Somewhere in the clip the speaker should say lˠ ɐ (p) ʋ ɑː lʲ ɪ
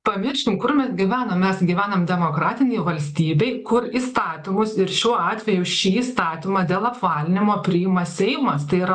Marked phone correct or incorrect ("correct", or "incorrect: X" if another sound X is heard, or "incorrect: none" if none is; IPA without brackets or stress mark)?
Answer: correct